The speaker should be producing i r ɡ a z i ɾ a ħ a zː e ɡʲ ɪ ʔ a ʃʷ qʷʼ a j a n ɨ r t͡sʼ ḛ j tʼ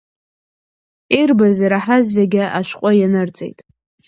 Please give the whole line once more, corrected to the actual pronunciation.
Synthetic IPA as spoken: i r b a z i ɾ a ħ a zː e ɡʲ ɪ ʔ a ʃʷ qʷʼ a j a n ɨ r t͡sʼ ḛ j tʼ